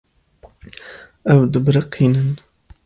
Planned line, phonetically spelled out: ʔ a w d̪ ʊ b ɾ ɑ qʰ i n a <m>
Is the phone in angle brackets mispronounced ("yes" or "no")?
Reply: yes